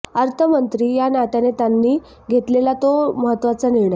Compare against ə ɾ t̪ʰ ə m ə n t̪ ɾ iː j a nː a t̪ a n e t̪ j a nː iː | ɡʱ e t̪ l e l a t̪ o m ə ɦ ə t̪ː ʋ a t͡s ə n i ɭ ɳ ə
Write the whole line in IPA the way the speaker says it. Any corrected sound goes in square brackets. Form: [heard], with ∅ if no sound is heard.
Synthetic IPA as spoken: ə ɾ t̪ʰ ə m ə n t̪ ɾ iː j a [n] a t̪ a n e t̪ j a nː iː | ɡʱ e t̪ l e l a t̪ o m ə ɦ ə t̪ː ʋ a t͡s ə n i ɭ ɳ ə